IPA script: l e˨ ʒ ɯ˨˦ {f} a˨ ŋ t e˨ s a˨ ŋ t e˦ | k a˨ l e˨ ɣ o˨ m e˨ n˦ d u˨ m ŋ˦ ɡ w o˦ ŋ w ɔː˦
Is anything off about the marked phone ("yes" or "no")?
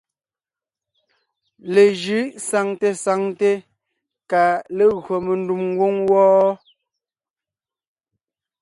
yes